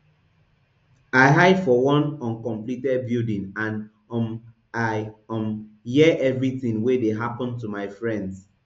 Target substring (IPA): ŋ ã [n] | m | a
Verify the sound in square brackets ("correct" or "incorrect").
correct